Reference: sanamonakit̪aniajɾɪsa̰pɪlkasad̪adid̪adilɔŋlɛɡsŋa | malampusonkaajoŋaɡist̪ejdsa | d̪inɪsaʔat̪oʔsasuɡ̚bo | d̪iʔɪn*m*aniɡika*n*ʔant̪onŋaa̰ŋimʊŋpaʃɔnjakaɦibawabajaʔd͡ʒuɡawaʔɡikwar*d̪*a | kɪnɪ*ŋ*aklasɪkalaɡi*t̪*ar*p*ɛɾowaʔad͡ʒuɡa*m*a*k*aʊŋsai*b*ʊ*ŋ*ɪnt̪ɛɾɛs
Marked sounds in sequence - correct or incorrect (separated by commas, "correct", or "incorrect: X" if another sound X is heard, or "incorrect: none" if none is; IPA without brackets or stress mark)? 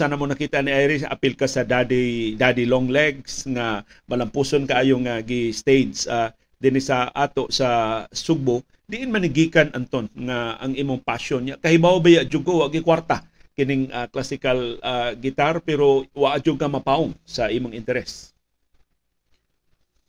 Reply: correct, correct, incorrect: t̪, correct, correct, correct, correct, incorrect: p, incorrect: m, correct